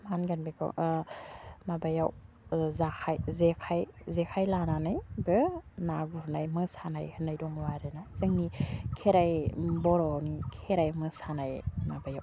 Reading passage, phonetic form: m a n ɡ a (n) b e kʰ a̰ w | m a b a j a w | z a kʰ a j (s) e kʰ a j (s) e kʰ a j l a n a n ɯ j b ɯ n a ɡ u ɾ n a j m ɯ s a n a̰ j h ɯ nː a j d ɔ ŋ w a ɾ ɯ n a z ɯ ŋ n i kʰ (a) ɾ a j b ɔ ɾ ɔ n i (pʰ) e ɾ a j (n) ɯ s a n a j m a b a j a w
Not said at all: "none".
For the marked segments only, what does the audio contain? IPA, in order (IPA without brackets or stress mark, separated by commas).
n, z, z, e, kʰ, m